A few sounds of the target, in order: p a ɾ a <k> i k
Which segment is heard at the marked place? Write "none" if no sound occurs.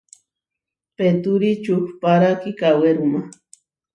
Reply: k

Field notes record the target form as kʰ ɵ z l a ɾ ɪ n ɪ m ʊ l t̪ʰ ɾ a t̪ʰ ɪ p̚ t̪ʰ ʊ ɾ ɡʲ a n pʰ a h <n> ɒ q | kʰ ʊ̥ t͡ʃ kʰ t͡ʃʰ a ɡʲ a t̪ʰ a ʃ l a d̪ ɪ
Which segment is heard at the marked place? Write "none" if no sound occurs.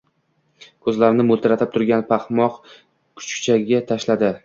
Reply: m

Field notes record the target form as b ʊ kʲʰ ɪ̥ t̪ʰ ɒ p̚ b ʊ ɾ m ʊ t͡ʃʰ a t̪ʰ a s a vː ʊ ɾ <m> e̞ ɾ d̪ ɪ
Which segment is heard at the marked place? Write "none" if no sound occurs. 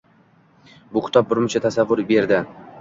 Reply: b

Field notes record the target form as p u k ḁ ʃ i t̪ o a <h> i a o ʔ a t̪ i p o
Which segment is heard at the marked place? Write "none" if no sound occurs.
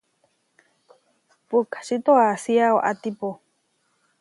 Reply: s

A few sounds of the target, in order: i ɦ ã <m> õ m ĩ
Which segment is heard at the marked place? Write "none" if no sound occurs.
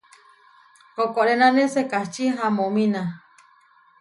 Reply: m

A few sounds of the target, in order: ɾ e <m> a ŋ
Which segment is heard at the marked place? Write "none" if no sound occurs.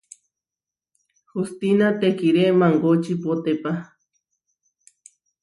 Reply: m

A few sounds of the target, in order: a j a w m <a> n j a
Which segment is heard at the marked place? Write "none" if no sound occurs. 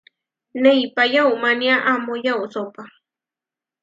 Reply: a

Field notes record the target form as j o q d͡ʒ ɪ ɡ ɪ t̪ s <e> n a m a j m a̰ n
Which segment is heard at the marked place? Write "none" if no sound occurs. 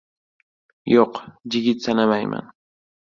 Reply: a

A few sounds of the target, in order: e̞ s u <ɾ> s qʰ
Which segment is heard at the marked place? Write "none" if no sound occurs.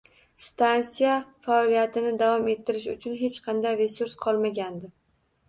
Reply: ɾ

